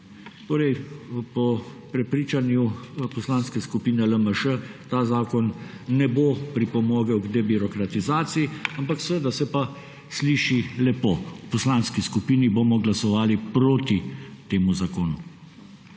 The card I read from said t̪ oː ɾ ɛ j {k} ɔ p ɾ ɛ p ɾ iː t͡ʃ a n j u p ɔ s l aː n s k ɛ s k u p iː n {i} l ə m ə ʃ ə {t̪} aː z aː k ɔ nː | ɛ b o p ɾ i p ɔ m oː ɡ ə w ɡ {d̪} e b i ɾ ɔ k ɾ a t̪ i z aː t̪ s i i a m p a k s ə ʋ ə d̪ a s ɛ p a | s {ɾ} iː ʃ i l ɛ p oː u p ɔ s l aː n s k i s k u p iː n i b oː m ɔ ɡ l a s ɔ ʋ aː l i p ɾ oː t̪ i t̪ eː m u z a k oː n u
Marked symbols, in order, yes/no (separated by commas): no, no, yes, yes, no